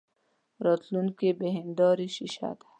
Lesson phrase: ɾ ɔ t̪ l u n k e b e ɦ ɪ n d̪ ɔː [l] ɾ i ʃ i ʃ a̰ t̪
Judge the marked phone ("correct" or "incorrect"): incorrect